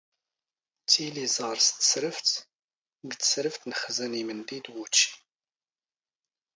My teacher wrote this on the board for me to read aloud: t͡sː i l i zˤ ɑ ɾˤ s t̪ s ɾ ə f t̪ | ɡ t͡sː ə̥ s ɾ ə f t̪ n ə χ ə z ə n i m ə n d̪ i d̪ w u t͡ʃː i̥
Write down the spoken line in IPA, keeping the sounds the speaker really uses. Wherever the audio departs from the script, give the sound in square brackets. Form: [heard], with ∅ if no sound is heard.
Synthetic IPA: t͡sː i l i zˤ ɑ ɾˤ s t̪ s ɾ ə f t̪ | ɡ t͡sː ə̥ s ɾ ə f t̪ n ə χ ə z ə n i m ə n d̪ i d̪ w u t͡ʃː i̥